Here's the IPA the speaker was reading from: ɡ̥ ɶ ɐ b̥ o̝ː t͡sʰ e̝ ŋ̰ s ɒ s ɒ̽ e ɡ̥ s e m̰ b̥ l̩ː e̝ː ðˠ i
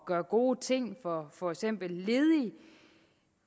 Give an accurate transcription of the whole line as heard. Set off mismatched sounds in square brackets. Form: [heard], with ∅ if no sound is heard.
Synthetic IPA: ɡ̥ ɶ ɐ [ɡ̥] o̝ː t͡sʰ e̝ ŋ̰ [f] ɒ [f] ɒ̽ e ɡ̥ s e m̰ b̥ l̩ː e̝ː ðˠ i